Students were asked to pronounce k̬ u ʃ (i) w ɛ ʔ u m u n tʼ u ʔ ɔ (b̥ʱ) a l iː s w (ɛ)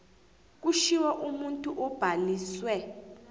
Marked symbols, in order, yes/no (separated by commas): yes, yes, yes